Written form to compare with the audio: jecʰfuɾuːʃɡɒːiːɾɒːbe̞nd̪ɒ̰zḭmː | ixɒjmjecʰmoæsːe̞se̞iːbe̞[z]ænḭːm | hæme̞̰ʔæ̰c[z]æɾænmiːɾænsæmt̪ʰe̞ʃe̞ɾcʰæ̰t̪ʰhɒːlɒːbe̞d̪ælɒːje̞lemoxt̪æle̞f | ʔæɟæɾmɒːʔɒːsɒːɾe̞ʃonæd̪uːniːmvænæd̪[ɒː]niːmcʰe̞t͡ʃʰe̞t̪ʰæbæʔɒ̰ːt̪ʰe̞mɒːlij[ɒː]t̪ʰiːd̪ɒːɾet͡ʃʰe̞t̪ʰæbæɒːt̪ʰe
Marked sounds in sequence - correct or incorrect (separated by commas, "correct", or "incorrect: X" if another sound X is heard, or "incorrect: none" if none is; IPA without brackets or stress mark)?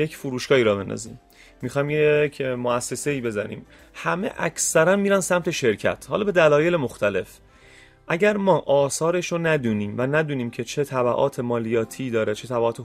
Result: correct, incorrect: s, incorrect: uː, correct